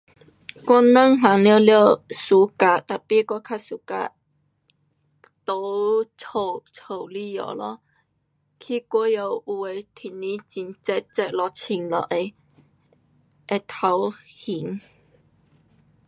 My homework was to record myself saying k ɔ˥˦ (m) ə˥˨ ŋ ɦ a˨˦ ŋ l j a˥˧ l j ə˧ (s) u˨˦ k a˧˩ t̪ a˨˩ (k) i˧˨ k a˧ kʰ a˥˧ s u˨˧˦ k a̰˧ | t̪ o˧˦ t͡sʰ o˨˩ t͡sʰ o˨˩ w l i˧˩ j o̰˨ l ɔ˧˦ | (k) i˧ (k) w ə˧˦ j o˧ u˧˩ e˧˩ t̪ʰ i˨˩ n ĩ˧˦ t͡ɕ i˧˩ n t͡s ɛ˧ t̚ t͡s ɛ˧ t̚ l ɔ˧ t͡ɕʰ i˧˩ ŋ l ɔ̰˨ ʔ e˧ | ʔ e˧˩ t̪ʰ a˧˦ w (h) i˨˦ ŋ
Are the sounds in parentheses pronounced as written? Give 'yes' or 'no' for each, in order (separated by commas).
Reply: no, yes, no, no, yes, yes